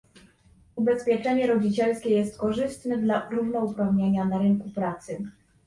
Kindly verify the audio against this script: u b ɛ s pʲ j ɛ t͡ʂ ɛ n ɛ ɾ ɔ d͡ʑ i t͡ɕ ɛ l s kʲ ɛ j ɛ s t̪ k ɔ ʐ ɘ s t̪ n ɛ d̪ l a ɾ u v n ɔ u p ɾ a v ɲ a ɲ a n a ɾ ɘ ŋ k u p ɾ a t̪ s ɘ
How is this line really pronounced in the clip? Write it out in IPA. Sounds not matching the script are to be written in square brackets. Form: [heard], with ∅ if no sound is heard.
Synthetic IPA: u b ɛ s pʲ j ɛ t͡ʂ ɛ [ɲ] ɛ ɾ ɔ d͡ʑ i t͡ɕ ɛ l s kʲ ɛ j ɛ s t̪ k ɔ ʐ ɘ s t̪ n ɛ d̪ l a ɾ u v n ɔ u p ɾ a v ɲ [e] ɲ a n a ɾ ɘ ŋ k u p ɾ a t̪ s ɘ